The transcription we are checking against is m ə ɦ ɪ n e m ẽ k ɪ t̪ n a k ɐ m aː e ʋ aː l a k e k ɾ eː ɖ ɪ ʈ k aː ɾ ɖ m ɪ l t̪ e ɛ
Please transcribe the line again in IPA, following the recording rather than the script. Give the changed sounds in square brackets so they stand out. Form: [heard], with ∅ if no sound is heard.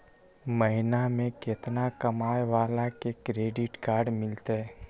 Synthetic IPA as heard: m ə ɦ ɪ n [a] m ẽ k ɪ t̪ n a k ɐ m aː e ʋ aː l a k e k ɾ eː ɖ ɪ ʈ k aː ɾ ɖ m ɪ l t̪ e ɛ